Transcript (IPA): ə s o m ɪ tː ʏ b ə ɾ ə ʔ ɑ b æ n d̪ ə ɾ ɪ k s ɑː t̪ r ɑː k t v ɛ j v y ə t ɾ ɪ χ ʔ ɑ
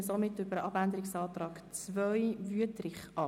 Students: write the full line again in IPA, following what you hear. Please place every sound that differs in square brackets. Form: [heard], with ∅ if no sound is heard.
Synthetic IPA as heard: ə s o m ɪ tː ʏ b ə ɾ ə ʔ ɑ b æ n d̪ ə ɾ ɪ k s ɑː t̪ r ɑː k [t͡s] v [œ] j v y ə t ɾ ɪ χ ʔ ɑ